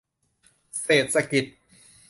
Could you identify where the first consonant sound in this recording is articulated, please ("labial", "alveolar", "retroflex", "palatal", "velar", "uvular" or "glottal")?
alveolar